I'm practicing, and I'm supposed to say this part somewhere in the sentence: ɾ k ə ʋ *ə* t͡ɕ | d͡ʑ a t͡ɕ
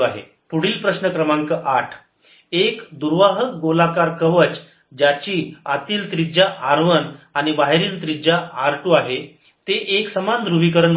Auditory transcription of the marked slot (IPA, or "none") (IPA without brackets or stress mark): ə